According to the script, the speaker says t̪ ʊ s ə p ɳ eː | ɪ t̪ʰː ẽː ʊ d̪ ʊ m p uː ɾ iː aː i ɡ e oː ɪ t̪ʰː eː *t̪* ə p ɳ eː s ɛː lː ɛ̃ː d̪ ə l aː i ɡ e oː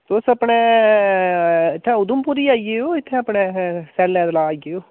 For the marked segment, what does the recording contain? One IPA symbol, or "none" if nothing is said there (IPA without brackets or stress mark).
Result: none